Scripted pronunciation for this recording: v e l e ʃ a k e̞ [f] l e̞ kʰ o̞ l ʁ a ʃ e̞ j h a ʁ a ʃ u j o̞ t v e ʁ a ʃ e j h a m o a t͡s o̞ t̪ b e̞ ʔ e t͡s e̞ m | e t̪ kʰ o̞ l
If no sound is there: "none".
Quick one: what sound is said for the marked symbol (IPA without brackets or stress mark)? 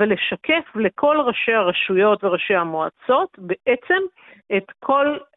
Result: f